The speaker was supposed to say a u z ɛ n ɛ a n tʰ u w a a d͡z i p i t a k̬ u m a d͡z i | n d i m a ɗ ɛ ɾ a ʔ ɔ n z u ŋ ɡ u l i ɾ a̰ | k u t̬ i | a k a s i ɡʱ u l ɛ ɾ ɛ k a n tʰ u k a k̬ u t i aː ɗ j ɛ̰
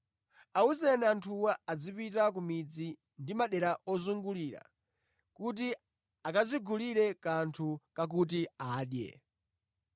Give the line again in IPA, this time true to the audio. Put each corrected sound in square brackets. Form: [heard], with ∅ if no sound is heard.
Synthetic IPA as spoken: a u z ɛ n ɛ a n tʰ u w a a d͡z i p i t a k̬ u m [i] d͡z i | n d i m a ɗ ɛ ɾ a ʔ ɔ [∅] z u ŋ ɡ u l i ɾ a̰ | k u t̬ i | a k a [z] i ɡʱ u l [i] ɾ ɛ k a n tʰ u k a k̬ u t i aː ɗ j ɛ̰